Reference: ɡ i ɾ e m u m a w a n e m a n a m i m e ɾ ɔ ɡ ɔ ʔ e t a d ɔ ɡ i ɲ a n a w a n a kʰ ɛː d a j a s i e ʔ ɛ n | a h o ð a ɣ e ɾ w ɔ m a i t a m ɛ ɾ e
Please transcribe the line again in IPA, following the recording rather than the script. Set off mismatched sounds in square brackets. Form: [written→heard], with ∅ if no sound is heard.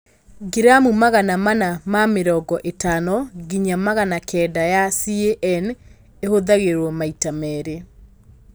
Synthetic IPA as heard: ɡ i ɾ [e→a] m u m a [w→ɣ] a n [e→a] m a n a m [i→a] m e ɾ ɔ ɡ ɔ ʔ e t a [d→n] ɔ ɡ i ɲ a [n→m] a [w→ɣ] a n a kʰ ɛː d a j a s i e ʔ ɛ n | [a→e] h o ð a ɣ e ɾ w ɔ m a i t a m ɛ ɾ e